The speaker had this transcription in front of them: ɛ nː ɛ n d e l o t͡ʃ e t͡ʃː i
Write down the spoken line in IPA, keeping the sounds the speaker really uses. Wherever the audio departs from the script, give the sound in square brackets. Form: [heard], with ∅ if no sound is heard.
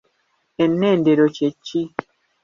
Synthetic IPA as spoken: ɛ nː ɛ n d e [ɾ] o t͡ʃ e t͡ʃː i